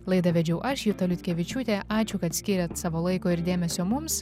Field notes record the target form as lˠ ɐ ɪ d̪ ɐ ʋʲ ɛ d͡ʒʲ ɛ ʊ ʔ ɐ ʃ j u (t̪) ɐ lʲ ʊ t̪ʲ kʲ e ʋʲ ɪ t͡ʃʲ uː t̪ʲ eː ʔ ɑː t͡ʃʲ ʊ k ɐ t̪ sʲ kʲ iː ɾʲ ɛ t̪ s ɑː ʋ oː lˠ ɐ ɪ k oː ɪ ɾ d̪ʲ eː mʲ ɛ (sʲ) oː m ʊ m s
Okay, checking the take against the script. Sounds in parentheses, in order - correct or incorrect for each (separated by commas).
correct, correct